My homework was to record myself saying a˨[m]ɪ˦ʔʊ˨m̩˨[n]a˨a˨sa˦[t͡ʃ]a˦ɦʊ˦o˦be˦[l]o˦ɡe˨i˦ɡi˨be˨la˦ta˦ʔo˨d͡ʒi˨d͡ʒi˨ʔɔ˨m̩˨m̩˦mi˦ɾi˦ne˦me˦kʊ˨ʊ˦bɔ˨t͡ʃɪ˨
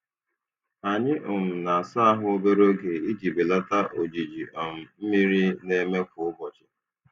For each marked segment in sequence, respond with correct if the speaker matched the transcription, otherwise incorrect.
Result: incorrect, correct, incorrect, incorrect

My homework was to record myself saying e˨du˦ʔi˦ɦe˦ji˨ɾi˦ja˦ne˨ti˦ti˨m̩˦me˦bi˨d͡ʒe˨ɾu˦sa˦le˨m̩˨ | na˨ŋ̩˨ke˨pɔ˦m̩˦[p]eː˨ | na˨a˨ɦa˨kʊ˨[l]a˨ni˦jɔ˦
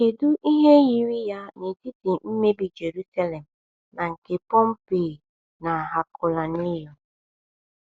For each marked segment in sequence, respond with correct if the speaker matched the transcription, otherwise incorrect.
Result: correct, correct

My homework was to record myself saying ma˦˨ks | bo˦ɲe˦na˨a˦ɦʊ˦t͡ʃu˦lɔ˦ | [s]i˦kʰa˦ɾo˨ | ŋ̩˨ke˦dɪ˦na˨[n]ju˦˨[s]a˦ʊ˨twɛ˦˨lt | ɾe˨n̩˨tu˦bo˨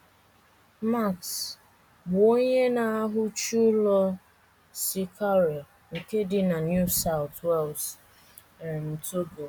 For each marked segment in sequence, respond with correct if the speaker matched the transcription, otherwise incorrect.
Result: correct, correct, correct

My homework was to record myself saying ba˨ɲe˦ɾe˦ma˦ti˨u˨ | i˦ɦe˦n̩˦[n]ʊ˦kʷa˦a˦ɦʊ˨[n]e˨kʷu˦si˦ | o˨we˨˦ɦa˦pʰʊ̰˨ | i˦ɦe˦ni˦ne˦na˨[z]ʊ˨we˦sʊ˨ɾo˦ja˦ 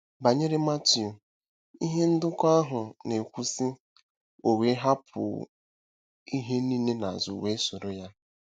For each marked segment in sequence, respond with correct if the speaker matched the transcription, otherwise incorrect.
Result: incorrect, correct, correct

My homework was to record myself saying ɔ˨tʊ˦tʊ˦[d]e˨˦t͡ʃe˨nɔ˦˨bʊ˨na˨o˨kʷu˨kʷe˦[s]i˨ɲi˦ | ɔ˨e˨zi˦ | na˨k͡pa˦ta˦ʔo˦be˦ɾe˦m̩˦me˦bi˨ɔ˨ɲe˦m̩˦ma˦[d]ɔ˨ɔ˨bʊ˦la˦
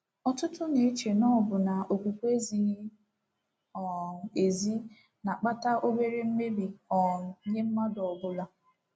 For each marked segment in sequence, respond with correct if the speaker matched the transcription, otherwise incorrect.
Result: incorrect, incorrect, correct

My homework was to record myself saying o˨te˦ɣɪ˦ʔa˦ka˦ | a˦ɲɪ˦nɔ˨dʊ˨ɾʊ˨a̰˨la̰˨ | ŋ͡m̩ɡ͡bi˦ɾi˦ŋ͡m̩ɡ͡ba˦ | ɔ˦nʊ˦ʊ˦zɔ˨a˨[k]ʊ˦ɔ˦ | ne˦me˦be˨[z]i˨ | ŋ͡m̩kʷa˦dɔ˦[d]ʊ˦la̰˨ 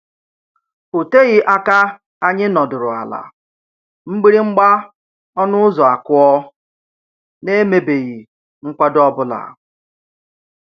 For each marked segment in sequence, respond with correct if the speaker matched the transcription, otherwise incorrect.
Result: correct, incorrect, incorrect

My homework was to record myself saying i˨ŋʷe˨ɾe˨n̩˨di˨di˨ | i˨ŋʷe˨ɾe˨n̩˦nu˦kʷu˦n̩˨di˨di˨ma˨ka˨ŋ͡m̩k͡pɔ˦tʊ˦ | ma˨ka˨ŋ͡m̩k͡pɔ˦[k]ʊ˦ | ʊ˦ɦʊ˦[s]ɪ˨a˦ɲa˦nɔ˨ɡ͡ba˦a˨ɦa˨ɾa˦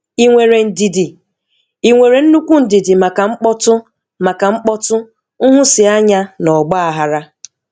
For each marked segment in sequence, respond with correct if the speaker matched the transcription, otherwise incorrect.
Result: incorrect, correct

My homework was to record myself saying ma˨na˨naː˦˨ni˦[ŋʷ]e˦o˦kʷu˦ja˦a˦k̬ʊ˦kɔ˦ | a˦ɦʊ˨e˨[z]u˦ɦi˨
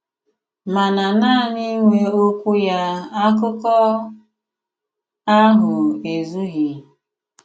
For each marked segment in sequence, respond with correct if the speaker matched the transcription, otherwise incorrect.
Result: correct, correct

